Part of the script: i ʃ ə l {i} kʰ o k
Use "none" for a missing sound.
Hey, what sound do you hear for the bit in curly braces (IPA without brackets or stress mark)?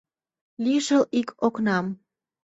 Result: i